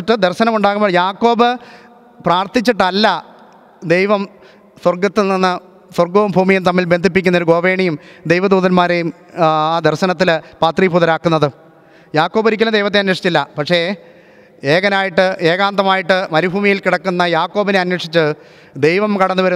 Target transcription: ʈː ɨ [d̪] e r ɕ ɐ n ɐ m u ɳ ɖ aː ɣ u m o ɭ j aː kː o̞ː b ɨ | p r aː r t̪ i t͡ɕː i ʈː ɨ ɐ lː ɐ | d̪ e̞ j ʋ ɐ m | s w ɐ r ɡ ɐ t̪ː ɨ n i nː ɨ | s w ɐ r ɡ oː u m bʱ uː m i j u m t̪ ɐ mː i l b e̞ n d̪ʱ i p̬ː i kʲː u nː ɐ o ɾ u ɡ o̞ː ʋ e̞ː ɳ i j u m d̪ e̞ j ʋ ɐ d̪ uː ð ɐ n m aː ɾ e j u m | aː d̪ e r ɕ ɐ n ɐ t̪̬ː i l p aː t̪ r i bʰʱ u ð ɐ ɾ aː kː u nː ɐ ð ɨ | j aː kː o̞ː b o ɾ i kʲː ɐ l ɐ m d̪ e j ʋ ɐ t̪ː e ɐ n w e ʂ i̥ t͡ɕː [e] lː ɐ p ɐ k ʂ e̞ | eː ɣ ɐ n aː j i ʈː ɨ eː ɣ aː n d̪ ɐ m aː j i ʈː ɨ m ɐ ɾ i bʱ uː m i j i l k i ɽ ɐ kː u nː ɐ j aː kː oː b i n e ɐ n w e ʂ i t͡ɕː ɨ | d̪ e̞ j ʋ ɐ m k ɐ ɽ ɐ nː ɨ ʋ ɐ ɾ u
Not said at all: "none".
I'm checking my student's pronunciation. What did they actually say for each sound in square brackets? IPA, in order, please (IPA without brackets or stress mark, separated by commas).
d̪, i